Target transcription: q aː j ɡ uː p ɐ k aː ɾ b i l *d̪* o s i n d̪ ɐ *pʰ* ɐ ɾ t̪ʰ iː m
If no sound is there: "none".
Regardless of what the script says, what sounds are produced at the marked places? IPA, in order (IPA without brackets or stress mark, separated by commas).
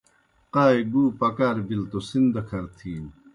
t̪, kʰ